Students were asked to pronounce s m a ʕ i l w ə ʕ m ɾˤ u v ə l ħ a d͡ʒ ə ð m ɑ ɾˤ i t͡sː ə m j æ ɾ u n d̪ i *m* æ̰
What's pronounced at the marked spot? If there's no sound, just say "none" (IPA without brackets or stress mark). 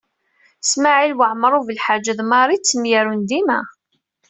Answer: m